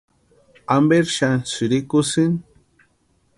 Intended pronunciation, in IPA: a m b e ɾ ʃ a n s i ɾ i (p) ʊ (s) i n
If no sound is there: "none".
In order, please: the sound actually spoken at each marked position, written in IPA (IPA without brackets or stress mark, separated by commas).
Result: k, s